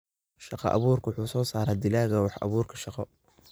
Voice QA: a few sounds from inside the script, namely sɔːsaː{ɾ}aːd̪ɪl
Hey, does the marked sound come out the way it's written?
yes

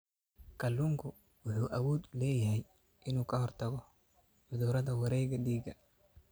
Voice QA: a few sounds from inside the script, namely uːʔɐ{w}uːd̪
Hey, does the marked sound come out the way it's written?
yes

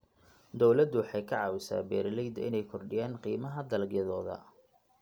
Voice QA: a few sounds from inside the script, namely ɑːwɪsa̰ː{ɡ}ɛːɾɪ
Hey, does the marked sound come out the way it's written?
no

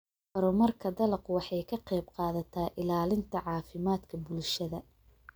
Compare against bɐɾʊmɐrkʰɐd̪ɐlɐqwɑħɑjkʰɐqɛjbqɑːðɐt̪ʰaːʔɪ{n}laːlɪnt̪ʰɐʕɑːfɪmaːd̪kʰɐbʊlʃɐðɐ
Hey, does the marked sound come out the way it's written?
no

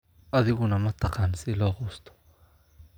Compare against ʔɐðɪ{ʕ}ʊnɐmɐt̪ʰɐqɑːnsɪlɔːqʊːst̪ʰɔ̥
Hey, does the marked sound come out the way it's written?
no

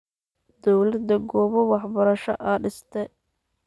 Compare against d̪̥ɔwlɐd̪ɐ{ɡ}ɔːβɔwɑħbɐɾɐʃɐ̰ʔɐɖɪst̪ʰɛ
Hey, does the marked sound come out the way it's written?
yes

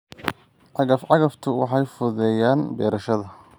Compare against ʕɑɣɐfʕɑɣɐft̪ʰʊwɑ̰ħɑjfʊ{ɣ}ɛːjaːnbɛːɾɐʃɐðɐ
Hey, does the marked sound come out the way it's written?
no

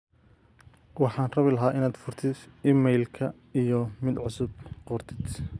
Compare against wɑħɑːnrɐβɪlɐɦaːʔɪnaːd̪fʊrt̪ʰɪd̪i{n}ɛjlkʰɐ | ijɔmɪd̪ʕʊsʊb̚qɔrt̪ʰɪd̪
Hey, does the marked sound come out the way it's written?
no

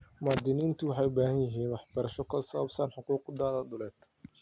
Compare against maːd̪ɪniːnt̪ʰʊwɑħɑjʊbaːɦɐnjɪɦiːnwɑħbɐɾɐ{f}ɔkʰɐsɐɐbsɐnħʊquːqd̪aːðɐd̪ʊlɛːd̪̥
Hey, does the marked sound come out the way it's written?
no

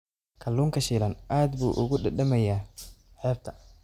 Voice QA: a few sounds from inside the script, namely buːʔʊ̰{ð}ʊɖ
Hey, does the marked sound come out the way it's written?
no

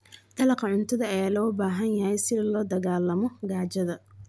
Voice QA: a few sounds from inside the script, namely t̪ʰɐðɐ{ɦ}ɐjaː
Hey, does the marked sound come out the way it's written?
no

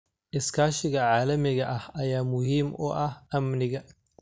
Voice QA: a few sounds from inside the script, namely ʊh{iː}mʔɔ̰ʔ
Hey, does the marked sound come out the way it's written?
yes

